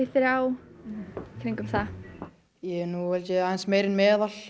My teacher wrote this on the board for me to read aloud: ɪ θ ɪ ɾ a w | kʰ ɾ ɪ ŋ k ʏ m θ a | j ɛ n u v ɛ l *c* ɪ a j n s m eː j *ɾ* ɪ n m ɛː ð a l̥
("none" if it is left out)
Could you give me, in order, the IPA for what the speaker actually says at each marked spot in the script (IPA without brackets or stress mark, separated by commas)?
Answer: c, ɾ